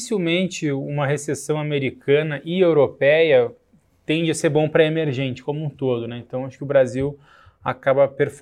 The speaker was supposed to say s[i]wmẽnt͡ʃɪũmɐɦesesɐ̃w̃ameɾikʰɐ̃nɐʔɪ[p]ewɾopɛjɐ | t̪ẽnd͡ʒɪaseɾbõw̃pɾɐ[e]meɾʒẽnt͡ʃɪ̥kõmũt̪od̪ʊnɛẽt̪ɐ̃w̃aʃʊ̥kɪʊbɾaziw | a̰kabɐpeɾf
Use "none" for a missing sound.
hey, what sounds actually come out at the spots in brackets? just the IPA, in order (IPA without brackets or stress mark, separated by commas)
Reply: i, none, e